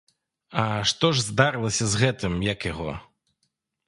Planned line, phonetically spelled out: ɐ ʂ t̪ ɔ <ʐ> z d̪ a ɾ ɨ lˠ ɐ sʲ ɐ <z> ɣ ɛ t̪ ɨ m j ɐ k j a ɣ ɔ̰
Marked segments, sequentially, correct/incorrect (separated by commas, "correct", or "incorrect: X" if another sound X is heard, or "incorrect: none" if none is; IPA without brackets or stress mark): correct, correct